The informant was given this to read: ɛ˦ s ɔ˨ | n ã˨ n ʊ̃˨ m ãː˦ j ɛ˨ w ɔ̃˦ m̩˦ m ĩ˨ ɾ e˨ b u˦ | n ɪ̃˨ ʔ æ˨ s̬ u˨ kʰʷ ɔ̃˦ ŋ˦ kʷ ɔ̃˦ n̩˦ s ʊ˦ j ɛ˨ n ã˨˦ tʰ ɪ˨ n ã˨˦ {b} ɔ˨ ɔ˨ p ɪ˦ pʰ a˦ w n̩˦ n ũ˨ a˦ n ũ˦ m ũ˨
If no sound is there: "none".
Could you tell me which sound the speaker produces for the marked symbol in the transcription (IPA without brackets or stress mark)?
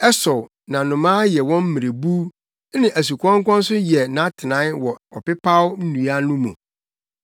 w